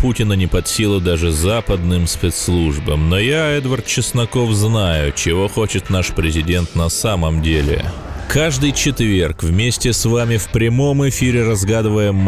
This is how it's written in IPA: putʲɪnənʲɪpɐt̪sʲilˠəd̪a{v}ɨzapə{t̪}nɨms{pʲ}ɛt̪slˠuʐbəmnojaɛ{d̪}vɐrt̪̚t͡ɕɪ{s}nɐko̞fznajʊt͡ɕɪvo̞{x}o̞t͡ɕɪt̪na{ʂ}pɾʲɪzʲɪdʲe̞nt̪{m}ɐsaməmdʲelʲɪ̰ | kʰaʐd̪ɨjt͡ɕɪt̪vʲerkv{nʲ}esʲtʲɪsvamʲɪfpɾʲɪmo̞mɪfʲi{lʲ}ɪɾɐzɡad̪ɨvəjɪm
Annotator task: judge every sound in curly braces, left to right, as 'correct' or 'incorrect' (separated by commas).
incorrect, incorrect, correct, correct, correct, correct, correct, incorrect, incorrect, incorrect